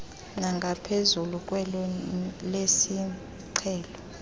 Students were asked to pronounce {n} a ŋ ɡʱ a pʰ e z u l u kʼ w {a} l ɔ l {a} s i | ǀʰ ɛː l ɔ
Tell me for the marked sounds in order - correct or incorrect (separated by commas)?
correct, incorrect, incorrect